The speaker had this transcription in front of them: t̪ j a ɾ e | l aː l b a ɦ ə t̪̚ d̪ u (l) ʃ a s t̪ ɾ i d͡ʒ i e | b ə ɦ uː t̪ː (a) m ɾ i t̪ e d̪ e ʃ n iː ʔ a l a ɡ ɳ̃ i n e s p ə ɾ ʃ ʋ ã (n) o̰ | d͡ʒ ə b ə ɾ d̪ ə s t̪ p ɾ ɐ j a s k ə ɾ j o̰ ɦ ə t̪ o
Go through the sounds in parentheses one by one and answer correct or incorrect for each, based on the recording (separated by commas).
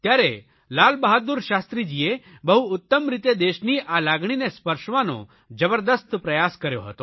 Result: incorrect, incorrect, correct